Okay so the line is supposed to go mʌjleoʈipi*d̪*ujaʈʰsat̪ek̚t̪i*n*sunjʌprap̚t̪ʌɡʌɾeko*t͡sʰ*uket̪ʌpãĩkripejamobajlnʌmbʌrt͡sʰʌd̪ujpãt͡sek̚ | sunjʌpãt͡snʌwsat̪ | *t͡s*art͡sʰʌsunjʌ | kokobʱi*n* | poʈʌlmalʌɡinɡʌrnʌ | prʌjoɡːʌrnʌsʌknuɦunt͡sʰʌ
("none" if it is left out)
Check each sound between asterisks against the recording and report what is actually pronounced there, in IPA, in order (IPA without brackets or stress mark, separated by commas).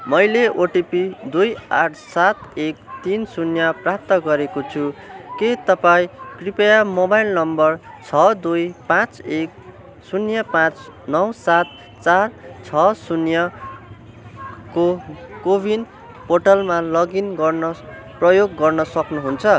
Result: d̪, n, t͡sʰ, t͡s, n